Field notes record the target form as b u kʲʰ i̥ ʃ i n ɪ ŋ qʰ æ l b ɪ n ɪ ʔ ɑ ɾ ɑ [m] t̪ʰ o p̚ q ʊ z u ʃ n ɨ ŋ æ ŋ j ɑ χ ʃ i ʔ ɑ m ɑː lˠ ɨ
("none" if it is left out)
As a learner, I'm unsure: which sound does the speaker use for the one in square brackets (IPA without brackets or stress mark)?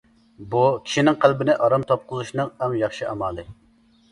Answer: m